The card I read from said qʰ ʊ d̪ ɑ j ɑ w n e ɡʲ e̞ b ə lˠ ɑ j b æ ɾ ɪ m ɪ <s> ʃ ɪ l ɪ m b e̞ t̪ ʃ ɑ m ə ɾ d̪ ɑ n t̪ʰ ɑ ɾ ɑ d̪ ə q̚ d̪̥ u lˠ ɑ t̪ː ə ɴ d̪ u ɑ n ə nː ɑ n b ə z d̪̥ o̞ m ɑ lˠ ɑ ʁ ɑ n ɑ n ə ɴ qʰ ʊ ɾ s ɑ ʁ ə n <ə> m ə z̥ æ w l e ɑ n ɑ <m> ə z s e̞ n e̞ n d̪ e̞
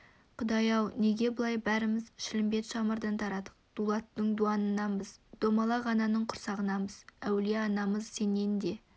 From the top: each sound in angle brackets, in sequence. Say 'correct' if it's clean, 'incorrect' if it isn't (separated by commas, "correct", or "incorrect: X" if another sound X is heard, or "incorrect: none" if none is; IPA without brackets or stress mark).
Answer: incorrect: z, incorrect: ɑ, correct